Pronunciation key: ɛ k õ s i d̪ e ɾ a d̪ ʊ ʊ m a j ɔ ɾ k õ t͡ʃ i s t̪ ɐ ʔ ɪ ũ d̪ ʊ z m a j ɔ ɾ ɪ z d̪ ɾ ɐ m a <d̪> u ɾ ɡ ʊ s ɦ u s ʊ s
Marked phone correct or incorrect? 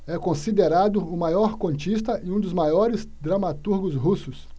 incorrect: t̪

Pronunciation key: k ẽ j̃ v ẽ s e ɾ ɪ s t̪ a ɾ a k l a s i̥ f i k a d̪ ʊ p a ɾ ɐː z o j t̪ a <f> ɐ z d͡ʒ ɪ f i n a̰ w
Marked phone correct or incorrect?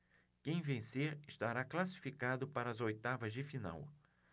incorrect: v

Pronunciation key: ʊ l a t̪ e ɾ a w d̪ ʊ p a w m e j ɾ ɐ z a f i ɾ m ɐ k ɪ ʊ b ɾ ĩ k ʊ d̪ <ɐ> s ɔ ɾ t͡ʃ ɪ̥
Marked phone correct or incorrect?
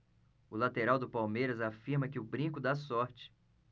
incorrect: a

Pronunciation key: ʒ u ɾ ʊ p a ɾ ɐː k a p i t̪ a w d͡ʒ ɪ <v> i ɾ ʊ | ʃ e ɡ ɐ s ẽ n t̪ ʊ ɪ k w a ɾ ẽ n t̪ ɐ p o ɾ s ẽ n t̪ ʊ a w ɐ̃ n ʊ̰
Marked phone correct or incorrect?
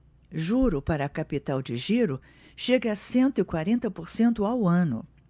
incorrect: ʒ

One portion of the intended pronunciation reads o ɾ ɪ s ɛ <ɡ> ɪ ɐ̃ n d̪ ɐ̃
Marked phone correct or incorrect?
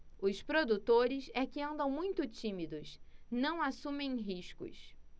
incorrect: k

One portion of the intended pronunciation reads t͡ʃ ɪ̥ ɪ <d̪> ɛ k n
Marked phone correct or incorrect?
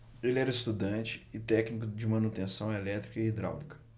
incorrect: t̪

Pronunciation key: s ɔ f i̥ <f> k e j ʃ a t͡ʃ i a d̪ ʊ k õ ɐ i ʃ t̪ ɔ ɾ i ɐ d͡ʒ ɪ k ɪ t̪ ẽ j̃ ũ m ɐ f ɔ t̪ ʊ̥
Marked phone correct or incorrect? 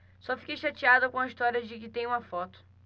incorrect: none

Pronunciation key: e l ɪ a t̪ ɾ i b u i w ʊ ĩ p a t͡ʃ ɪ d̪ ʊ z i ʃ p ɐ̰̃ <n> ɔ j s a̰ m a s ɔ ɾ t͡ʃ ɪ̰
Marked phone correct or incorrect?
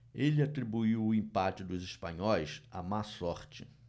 incorrect: ɲ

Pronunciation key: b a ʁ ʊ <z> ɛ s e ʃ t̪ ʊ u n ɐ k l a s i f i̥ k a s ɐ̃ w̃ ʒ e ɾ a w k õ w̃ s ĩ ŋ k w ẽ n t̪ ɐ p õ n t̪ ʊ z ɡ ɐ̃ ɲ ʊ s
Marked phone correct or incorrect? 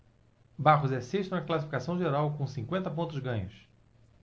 correct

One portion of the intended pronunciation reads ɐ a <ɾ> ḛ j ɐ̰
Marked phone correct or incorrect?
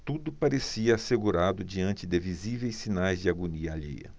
incorrect: ʎ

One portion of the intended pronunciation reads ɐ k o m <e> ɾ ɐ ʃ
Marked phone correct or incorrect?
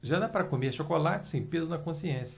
correct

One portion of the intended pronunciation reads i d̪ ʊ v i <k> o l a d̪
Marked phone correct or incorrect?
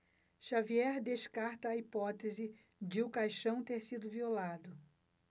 incorrect: none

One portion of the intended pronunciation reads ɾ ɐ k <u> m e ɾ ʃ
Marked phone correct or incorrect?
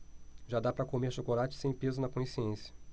incorrect: o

